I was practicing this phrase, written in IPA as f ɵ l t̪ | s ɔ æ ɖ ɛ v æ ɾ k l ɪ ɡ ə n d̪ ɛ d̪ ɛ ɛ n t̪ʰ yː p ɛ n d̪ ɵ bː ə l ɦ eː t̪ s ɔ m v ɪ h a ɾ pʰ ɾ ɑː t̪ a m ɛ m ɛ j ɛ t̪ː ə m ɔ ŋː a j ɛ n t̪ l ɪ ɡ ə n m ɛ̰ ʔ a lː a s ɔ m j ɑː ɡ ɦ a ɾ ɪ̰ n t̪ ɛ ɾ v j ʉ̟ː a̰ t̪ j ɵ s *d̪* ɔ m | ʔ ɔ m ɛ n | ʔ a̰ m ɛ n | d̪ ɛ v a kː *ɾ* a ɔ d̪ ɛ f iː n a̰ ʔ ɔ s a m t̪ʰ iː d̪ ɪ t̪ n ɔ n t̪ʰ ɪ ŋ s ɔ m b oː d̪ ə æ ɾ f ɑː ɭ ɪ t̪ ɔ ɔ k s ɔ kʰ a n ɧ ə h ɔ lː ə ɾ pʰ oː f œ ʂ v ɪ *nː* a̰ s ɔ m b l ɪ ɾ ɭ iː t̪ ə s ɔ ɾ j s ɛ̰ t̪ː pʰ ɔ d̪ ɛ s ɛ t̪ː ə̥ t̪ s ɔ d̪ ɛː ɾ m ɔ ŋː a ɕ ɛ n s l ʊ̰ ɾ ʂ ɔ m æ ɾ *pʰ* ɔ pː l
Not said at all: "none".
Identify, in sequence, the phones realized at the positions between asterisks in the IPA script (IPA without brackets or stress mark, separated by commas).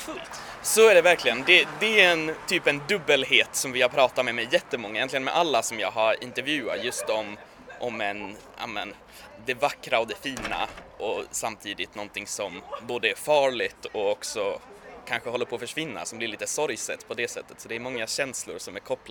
t̪, ɾ, nː, kʰ